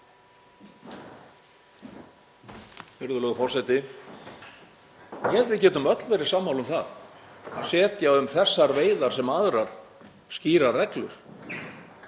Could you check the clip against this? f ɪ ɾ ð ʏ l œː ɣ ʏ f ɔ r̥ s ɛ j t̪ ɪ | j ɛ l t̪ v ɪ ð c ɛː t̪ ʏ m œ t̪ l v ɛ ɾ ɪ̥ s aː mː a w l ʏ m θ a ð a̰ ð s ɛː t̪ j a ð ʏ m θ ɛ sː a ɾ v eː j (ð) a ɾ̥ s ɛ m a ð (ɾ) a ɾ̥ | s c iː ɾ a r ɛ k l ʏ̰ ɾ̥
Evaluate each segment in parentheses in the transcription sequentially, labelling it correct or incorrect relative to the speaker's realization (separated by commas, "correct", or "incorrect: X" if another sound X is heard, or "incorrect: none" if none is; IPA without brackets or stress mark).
correct, correct